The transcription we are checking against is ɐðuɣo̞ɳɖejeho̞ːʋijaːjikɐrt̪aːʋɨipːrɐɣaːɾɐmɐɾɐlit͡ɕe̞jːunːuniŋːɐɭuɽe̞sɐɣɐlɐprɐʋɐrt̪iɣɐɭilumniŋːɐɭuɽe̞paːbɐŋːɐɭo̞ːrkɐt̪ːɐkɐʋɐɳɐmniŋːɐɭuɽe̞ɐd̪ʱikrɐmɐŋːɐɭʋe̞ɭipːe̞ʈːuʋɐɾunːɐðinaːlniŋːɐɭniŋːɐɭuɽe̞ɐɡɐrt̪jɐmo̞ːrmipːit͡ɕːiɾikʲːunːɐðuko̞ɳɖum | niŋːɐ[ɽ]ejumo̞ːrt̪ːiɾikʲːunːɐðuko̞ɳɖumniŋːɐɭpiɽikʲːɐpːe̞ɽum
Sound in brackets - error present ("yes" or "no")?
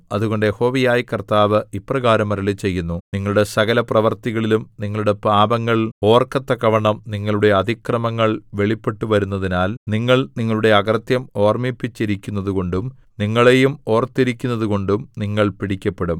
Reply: yes